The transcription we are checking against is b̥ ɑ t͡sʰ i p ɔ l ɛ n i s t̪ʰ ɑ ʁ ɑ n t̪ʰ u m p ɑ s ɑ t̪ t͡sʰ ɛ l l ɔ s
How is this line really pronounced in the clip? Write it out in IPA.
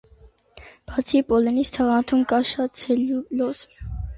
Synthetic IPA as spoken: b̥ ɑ t͡sʰ i p ɔ l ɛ n i s t̪ʰ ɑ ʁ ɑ n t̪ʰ u m k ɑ ʃ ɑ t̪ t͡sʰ ɛ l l ɔ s